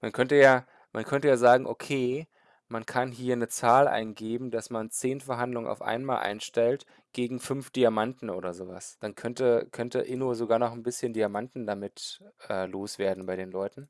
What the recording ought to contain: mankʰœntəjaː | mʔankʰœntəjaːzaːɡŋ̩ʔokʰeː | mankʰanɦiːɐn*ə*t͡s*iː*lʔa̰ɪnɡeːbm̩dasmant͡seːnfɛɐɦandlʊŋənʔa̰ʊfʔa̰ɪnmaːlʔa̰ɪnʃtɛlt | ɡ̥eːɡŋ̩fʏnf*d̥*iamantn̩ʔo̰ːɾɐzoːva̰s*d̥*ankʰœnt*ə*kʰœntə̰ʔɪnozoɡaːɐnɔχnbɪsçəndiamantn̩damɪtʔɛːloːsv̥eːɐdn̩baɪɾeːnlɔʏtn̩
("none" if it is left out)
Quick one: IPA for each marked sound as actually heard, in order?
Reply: ə, aː, d̥, d̥, ə

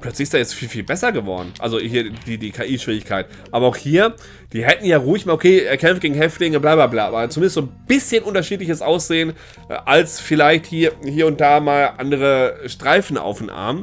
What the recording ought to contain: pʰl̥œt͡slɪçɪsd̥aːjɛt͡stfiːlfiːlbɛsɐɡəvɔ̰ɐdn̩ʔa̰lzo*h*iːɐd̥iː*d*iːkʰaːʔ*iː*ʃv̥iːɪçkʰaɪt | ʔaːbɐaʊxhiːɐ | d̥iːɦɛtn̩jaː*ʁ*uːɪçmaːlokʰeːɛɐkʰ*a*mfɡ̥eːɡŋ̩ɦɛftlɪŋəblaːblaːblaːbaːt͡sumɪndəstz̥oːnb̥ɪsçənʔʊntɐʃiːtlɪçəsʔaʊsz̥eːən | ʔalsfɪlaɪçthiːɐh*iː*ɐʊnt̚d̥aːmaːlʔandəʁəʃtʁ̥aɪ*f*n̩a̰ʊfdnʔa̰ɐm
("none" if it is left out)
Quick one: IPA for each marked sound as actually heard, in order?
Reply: h, d, iː, ʁ, ɛ, iː, f

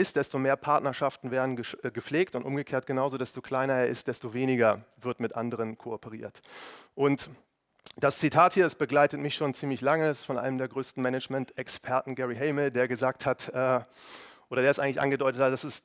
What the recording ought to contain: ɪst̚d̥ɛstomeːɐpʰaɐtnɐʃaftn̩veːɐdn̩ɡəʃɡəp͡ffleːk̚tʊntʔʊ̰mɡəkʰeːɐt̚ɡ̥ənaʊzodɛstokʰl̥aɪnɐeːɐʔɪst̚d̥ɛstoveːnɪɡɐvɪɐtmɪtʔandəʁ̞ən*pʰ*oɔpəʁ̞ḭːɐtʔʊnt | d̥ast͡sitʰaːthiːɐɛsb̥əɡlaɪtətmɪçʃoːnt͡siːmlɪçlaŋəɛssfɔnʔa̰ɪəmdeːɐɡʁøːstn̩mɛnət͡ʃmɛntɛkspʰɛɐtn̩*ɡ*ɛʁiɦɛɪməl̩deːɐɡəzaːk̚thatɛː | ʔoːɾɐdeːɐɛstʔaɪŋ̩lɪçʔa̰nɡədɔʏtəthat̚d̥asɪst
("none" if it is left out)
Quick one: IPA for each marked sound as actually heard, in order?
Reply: kʰ, ɡ

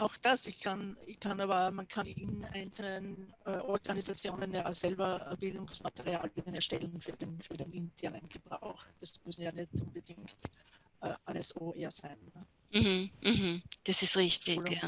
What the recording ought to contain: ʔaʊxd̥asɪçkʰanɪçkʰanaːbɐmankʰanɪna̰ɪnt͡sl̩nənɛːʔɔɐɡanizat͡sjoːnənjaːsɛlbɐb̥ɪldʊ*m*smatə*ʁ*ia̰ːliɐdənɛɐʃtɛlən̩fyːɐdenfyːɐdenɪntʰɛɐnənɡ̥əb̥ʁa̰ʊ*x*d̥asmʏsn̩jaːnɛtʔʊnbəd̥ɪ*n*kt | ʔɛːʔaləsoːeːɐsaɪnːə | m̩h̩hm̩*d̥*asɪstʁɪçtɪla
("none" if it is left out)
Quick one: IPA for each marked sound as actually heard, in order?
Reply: ŋ, ʁ, x, ŋ, d̥

